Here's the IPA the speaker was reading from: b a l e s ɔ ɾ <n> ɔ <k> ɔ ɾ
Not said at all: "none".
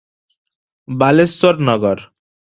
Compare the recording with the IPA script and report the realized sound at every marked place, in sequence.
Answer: n, ɡ

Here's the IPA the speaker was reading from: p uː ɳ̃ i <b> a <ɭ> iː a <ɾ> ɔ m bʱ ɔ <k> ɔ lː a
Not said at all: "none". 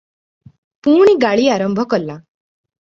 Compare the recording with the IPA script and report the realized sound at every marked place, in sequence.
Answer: ɡ, ɭ, ɾ, k

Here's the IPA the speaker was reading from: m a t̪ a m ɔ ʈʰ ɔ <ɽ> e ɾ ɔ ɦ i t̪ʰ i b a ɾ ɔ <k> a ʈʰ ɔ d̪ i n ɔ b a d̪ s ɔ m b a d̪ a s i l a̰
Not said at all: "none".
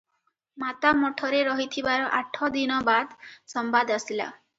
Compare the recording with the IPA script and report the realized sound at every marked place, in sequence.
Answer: ɾ, ʔ

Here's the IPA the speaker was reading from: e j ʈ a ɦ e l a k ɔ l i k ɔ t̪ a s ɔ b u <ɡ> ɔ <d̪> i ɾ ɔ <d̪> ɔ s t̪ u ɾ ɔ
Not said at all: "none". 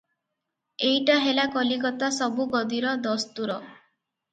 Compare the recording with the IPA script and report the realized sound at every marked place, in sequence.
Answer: ɡ, d̪, d̪

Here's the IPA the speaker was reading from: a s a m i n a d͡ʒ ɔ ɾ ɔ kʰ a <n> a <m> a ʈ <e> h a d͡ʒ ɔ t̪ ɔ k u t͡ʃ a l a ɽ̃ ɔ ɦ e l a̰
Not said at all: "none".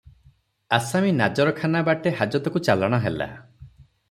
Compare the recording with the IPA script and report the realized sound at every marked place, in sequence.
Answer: n, b, e

